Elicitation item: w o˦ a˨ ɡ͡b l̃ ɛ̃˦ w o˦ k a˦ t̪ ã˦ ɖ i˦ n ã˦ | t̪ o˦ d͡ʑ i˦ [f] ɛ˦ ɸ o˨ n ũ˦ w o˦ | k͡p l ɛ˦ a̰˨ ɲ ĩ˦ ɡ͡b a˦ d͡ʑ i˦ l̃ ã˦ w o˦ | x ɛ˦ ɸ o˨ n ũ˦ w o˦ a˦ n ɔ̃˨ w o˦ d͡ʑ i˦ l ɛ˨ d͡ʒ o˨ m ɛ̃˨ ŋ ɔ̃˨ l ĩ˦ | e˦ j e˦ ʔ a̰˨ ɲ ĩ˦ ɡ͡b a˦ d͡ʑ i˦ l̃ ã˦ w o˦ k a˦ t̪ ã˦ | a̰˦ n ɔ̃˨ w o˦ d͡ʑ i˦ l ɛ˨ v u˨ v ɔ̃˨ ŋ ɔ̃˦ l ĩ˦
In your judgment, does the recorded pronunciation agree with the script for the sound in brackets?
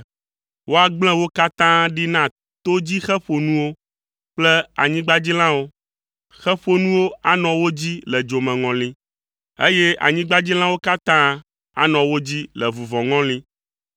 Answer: no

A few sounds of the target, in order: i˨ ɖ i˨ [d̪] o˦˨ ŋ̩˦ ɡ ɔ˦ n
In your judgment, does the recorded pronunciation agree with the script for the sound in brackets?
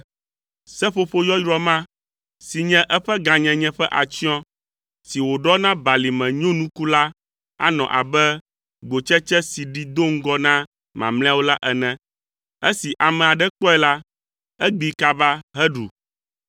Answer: yes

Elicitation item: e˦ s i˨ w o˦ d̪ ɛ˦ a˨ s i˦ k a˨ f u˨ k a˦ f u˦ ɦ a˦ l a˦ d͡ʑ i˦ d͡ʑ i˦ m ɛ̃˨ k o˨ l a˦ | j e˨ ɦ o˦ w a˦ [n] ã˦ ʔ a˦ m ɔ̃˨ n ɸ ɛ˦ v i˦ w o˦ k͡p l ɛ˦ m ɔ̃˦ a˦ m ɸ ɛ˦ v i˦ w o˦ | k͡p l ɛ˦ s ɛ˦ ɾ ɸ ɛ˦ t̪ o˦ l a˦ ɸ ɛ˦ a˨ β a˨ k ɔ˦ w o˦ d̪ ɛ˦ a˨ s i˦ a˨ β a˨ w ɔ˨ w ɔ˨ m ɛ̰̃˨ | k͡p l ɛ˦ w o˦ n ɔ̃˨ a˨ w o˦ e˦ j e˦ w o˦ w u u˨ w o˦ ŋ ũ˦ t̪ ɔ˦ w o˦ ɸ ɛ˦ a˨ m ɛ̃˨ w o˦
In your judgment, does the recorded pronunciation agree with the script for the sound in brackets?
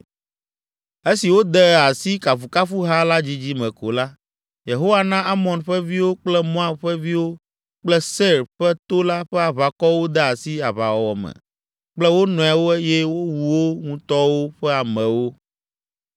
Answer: yes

